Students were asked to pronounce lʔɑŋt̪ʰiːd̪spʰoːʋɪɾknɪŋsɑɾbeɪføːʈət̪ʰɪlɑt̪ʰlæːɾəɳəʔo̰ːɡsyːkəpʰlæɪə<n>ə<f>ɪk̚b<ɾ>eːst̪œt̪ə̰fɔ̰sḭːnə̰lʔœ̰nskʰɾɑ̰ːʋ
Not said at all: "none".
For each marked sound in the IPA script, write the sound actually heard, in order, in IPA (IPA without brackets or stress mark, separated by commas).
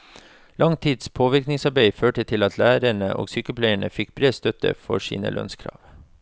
ɳ, f, ɾ